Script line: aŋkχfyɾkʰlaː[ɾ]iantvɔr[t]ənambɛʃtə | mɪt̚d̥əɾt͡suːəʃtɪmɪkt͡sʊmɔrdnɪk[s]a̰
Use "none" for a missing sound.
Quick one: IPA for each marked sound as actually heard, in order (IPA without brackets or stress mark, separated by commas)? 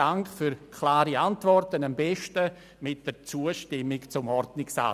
ɾ, t, s